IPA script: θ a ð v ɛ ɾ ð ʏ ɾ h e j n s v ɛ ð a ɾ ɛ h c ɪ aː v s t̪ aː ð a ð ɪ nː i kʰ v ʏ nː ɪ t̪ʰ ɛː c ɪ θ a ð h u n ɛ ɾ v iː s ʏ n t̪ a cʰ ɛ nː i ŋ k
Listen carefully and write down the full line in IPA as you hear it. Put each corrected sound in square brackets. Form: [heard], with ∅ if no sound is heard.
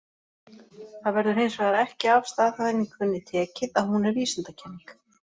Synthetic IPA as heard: θ a ð v ɛ ɾ ð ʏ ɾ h e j n s v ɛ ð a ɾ ɛ h c ɪ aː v s t̪ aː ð a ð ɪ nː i kʰ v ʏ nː ɪ t̪ʰ ɛː c ɪ [ð] a ð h u n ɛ ɾ v iː s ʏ n t̪ a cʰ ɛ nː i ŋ k